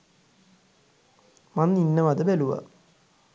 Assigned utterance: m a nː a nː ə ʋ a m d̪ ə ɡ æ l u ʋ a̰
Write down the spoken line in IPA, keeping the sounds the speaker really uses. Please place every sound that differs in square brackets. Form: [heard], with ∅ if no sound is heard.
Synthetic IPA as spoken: m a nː [i] nː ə ʋ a [∅] d̪ ə [b] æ l u ʋ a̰